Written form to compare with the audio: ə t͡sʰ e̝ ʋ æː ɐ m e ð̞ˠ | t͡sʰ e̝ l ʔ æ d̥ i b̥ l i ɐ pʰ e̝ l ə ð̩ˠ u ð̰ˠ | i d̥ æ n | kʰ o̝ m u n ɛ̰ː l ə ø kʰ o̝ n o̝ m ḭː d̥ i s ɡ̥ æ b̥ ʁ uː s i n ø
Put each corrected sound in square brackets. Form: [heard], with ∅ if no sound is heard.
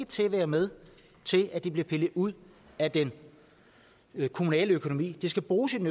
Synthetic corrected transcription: ə t͡sʰ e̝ ʋ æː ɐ m e ð̞ˠ | t͡sʰ e̝ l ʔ æ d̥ i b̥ l i ɐ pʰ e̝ l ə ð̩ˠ u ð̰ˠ | [æ] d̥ [e] n | kʰ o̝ m u n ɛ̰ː l ə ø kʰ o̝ n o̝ m ḭː d̥ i s ɡ̥ æ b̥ ʁ uː s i n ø